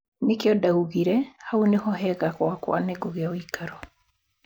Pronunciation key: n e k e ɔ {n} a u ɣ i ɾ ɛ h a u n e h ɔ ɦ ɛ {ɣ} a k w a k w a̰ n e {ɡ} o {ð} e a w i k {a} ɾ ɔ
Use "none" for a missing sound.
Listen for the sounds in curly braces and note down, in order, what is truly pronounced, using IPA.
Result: d, ɣ, ɡ, ɣ, a

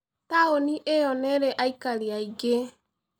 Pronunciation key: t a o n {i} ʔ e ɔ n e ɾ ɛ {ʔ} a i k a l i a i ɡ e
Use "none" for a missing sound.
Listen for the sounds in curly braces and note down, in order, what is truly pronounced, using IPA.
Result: i, ʔ

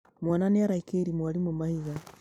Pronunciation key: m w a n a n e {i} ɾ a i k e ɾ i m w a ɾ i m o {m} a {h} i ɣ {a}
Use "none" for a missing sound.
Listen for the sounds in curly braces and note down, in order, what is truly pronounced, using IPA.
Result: a, m, h, a

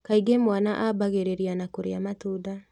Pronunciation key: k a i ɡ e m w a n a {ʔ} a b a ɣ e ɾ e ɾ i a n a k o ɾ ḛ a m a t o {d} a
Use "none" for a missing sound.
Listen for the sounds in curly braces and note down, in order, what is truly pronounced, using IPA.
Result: ʔ, d

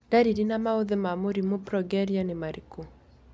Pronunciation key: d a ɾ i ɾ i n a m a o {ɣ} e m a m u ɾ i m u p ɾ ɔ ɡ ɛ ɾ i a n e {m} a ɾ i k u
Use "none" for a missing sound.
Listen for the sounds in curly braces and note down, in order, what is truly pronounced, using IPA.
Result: ð, m

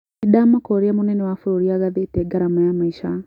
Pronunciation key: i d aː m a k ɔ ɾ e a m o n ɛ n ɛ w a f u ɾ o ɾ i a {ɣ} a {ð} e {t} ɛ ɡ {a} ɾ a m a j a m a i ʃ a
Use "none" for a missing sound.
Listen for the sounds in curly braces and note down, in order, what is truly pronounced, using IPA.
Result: ɣ, ð, t, a

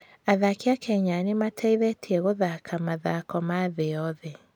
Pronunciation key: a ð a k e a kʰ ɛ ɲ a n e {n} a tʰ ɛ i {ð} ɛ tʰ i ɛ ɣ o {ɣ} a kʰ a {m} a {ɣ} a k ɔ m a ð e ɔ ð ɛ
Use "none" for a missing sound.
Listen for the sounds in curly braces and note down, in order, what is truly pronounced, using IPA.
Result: m, ð, ð, m, ð

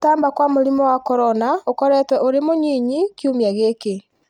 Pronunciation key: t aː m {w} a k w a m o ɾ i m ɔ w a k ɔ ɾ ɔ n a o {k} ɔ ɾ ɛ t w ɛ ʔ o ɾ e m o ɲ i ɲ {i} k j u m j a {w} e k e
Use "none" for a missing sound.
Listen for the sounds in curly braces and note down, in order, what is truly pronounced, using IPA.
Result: b, k, i, ɣ

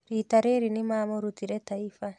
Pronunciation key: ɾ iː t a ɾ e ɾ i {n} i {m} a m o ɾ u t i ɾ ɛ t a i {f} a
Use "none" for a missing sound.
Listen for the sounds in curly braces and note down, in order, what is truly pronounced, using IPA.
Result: n, m, f

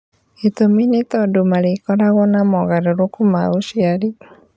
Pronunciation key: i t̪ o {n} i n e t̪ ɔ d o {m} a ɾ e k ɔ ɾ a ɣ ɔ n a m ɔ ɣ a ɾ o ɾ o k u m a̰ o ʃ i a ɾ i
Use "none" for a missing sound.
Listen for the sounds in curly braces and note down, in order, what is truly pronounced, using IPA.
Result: m, m

